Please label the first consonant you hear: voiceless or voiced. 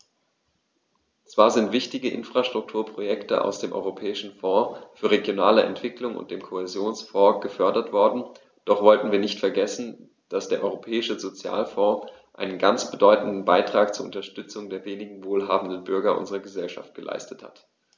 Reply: voiceless